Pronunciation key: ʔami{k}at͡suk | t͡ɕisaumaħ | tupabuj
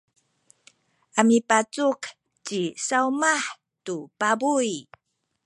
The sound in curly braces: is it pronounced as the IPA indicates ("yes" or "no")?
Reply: no